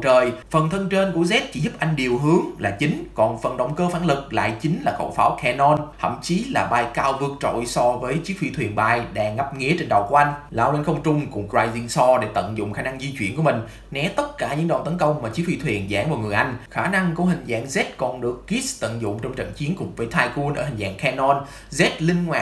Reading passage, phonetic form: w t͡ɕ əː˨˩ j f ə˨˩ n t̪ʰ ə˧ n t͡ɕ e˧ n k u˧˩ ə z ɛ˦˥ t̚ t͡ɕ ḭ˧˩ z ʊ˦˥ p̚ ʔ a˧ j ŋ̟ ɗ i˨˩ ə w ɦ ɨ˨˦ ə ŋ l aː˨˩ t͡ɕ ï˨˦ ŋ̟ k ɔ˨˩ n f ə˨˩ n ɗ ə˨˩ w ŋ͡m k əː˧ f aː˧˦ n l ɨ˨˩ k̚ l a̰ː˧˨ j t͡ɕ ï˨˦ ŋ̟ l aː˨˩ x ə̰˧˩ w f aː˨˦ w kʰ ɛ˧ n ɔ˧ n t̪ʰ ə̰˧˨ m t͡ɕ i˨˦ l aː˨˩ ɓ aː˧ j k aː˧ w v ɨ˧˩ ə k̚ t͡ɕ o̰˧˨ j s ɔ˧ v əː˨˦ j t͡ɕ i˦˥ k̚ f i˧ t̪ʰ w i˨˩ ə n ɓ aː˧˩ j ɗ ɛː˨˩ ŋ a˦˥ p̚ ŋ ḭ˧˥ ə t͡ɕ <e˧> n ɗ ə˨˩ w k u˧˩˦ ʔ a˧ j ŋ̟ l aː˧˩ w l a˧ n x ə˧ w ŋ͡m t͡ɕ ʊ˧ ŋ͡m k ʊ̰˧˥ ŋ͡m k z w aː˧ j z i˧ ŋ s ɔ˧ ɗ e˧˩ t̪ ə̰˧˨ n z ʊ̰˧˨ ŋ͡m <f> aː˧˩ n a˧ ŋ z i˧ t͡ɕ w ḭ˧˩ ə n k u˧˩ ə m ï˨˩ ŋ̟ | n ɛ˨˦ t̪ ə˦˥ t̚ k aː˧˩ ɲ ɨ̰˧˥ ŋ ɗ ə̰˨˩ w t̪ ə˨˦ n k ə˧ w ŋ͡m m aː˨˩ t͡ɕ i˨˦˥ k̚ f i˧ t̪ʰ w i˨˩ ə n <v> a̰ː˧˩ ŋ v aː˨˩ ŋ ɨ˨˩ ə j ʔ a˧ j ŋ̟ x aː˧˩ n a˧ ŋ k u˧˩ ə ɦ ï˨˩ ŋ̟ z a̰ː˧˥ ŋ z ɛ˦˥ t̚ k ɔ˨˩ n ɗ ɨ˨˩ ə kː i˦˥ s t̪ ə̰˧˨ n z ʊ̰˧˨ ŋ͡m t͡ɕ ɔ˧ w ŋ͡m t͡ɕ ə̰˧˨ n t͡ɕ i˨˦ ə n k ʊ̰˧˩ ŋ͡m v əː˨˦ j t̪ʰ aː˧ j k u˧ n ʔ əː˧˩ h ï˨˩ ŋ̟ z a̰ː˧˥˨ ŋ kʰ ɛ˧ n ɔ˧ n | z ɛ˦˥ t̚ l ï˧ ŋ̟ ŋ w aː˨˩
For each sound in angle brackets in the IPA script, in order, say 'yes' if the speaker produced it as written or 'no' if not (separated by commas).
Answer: yes, no, no